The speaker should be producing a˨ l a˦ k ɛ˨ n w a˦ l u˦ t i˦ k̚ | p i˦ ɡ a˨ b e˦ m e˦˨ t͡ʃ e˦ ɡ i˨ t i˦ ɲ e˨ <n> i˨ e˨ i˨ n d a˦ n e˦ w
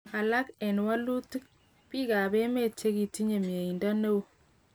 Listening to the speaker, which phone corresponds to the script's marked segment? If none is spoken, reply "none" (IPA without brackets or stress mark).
m